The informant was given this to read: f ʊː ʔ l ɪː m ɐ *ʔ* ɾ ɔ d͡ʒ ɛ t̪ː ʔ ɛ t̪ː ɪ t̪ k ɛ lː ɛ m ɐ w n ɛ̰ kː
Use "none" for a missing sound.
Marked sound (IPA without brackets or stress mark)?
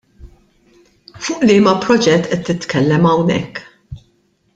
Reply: p